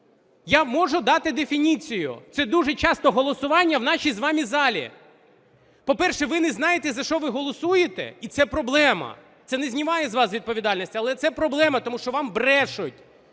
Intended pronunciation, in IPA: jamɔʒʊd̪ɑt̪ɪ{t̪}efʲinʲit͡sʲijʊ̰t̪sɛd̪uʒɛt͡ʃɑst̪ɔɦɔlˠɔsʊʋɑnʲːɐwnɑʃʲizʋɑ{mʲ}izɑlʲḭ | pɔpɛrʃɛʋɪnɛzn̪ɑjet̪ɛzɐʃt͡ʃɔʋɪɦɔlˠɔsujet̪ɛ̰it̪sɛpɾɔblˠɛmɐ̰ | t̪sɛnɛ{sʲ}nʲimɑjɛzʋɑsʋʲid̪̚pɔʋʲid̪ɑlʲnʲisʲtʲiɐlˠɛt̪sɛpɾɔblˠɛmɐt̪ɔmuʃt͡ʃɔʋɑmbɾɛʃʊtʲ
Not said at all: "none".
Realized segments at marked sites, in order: d̪, mʲ, zʲ

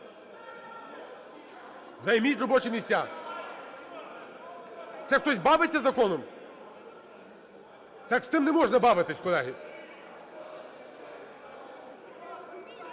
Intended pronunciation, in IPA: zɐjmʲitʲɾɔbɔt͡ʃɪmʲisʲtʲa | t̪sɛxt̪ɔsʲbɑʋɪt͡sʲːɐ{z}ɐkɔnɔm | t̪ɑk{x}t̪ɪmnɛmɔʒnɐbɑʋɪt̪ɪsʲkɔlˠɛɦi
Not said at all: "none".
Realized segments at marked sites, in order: z, s

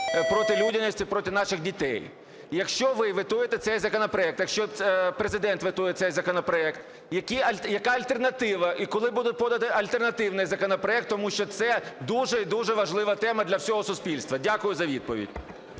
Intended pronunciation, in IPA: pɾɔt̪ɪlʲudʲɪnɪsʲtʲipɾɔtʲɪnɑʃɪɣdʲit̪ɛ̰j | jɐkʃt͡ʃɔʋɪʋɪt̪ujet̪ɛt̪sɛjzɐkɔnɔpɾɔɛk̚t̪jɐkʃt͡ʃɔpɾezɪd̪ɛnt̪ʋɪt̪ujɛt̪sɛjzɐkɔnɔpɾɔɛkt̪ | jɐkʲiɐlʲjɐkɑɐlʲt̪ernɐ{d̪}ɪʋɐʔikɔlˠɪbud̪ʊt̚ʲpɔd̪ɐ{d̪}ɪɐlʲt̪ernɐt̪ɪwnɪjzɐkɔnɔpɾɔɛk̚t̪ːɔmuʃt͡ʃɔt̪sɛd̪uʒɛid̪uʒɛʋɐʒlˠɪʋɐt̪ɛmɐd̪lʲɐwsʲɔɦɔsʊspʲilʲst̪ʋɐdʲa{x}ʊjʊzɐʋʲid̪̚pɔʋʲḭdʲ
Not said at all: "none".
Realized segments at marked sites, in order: t̪, t̪, k

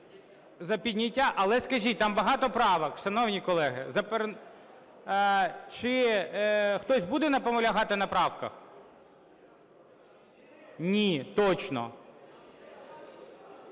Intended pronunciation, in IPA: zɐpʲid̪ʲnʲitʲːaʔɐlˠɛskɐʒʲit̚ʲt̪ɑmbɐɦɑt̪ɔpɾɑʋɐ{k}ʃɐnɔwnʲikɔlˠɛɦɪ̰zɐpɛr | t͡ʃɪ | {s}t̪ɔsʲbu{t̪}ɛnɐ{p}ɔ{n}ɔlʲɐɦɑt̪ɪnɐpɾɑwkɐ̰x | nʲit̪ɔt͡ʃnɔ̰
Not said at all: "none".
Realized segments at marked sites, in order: k, x, d̪, p, m

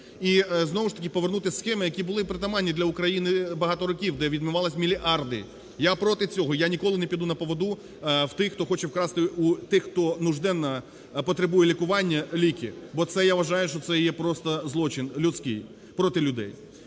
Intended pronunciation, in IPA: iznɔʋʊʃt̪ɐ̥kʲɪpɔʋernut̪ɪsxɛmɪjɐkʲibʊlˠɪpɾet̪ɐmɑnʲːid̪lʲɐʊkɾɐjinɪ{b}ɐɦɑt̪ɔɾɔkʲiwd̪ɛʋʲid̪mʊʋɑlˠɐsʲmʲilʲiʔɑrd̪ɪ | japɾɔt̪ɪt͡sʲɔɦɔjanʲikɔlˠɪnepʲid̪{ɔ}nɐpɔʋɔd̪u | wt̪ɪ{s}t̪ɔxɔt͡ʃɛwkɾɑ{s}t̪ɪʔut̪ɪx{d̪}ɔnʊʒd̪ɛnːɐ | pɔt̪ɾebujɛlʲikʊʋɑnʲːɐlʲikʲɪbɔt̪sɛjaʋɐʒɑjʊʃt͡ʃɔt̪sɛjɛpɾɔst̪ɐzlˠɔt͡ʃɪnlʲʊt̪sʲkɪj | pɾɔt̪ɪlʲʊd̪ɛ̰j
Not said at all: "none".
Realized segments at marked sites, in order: b, u, x, s, t̪

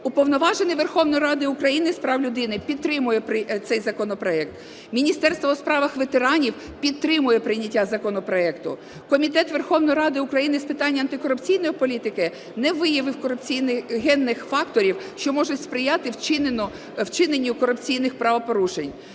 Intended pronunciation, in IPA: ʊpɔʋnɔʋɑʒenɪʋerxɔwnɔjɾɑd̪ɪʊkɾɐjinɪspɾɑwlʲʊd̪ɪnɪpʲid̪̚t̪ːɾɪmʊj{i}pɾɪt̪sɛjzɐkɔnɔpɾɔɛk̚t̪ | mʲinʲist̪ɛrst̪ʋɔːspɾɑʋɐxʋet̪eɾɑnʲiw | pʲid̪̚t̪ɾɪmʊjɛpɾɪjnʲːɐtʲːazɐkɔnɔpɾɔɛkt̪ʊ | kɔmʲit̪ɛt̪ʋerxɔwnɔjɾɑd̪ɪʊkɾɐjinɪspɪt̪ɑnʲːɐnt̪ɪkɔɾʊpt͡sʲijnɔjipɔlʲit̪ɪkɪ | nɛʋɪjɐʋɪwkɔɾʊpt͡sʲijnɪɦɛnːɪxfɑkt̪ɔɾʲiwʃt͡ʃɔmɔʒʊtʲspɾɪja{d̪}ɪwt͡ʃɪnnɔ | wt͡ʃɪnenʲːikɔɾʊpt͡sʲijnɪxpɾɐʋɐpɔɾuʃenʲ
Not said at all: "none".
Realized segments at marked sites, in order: ɛ, t̪

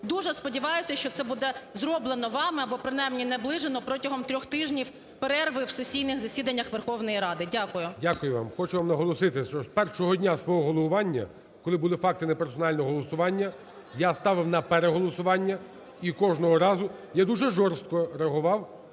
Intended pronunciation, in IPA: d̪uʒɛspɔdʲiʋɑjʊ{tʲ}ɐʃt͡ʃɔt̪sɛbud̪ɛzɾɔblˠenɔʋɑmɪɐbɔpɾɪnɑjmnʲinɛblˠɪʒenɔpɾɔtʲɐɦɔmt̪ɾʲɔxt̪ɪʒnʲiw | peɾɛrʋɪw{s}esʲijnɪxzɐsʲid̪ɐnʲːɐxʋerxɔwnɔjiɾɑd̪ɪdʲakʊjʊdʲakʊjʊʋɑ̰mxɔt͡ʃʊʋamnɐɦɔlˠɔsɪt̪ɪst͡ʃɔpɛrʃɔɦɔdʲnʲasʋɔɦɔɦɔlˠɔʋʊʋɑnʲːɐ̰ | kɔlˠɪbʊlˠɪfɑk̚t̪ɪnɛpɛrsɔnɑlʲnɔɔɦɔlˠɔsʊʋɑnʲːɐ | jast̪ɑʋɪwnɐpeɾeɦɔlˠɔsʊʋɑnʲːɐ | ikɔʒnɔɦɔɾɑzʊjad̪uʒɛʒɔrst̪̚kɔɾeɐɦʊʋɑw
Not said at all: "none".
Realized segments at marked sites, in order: sʲ, s

